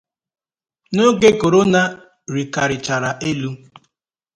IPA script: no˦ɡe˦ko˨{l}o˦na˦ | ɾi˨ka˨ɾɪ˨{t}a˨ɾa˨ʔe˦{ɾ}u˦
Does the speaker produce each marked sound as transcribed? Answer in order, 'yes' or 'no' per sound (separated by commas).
no, no, no